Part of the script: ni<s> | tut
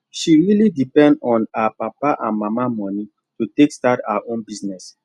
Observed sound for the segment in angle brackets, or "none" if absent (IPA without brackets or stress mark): none